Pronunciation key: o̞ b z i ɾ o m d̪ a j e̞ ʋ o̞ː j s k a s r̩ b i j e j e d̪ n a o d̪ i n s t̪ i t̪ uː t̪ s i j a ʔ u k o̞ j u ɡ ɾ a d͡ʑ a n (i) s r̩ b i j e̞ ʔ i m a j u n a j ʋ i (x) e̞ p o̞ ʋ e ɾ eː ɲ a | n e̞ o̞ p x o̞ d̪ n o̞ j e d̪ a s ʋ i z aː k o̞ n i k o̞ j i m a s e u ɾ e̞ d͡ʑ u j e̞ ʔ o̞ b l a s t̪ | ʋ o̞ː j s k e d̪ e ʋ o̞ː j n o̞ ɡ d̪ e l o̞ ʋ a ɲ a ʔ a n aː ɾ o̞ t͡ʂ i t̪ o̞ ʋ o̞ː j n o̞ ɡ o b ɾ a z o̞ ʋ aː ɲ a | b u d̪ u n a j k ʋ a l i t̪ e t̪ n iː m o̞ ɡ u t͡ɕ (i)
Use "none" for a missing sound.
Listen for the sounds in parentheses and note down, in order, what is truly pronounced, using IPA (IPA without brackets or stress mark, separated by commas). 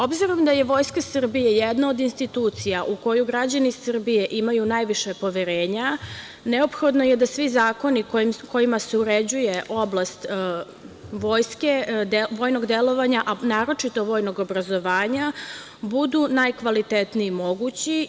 i, ʃ, i